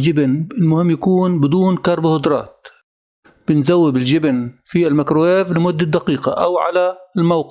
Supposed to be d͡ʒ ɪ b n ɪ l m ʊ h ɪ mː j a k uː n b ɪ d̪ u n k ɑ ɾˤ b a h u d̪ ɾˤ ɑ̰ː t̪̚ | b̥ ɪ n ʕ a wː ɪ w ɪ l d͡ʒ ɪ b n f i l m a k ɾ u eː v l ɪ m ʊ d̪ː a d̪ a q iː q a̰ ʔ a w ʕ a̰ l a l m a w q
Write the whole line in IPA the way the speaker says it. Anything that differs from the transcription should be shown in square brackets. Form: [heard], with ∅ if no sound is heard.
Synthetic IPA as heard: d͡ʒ ɪ b n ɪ l m ʊ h ɪ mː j a k uː n b ɪ d̪ [uː] n k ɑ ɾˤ b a h [ʊ] d̪ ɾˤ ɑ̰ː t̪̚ | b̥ ɪ n [z] a wː ɪ [b] ɪ l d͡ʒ ɪ b n f i l m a k ɾ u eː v l ɪ m ʊ d̪ː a d̪ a q iː q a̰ ʔ a w ʕ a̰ l a l m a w q